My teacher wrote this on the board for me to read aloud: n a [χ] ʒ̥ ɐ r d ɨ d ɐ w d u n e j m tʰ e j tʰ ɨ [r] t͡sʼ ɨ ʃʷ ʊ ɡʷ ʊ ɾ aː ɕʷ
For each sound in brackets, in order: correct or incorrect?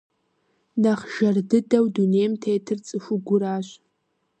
correct, correct

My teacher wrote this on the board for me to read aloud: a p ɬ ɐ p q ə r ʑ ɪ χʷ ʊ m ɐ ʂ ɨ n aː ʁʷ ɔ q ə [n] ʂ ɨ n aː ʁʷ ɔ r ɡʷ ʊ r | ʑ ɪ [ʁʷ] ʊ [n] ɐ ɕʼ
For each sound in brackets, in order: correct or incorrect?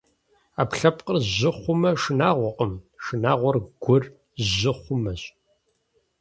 incorrect, incorrect, incorrect

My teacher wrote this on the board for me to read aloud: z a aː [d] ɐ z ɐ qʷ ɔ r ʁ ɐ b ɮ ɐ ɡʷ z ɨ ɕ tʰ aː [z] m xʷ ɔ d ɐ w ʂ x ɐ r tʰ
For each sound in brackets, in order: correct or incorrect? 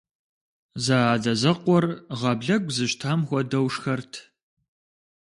correct, incorrect

